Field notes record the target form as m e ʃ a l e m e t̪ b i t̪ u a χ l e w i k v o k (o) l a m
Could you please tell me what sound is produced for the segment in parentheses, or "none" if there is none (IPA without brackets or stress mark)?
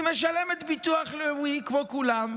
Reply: u